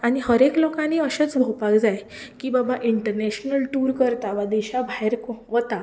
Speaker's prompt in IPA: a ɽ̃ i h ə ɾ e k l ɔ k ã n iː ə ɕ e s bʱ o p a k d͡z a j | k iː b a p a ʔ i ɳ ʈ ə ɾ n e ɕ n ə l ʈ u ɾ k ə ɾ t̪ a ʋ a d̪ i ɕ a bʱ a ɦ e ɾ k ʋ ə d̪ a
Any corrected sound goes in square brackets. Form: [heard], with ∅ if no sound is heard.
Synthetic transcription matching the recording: a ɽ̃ i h ə ɾ e k l ɔ k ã n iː ə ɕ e [t͡s] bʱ o p a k d͡z a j | k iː b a [b] a ʔ i ɳ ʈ ə ɾ n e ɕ n ə l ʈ u ɾ k ə ɾ t̪ a ʋ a d̪ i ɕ a bʱ a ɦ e ɾ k ʋ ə [t̪] a